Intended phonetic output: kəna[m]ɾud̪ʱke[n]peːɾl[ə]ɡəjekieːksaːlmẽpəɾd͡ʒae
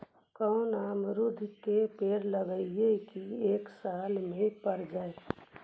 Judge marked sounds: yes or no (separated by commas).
yes, no, yes